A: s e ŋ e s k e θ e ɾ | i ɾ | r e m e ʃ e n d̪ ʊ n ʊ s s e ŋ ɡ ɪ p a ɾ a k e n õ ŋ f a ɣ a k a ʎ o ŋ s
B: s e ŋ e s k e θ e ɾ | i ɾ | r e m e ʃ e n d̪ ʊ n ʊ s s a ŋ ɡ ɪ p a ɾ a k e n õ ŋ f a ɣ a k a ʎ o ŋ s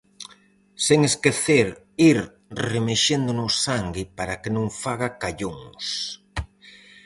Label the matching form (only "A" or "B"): B